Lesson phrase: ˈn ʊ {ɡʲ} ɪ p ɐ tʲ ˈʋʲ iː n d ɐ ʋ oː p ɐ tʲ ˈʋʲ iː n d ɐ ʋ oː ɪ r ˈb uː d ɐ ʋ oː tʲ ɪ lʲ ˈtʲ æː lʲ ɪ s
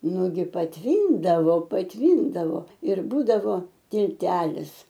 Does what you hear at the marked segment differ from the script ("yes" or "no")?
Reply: no